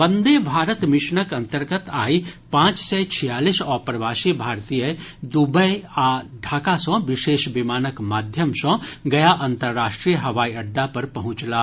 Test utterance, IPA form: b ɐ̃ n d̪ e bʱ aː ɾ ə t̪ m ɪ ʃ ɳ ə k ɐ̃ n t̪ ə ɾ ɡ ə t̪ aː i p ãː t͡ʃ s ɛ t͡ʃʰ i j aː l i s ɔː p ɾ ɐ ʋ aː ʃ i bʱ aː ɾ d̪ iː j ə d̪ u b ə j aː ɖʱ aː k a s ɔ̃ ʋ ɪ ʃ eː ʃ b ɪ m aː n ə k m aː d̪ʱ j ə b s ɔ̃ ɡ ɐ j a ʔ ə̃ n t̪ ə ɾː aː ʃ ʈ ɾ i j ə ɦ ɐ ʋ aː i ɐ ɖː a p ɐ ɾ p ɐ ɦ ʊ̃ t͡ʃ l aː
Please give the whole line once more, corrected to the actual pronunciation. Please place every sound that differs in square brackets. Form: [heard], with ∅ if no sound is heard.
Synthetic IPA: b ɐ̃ n d̪ e bʱ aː ɾ ə t̪ m ɪ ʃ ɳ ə k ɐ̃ n t̪ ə ɾ ɡ ə t̪ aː i p ãː t͡ʃ s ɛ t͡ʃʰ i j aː l i s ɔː p ɾ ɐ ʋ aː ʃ i bʱ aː ɾ [t̪] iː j ə d̪ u b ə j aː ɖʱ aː k a s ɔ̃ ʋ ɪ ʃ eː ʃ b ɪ m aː n ə k m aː d̪ʱ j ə [m] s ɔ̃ ɡ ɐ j a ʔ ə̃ n t̪ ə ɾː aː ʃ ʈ ɾ i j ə ɦ ɐ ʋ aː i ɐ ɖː a p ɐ ɾ p ɐ ɦ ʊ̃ t͡ʃ l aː